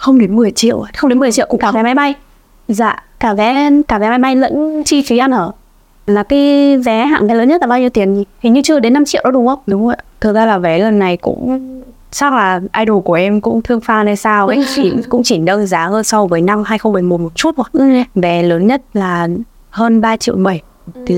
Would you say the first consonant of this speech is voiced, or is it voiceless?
voiceless